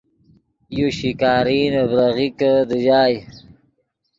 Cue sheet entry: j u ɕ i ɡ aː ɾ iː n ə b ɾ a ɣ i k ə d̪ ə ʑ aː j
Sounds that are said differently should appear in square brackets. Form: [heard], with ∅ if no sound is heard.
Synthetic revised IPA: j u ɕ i [k] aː ɾ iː n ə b ɾ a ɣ i k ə d̪ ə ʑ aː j